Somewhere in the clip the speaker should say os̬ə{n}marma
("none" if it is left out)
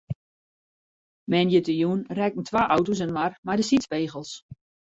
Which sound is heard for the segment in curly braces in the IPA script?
n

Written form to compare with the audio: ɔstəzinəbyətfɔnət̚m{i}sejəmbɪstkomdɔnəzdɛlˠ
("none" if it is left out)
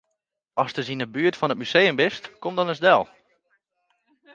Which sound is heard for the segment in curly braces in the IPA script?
y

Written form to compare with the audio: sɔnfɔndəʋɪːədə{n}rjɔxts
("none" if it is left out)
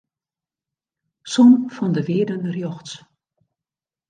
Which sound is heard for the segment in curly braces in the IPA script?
n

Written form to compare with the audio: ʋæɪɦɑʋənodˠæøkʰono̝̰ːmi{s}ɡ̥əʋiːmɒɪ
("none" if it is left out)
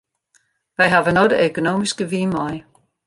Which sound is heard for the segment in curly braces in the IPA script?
s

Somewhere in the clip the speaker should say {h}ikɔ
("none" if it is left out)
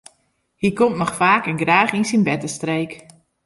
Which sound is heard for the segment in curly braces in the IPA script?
h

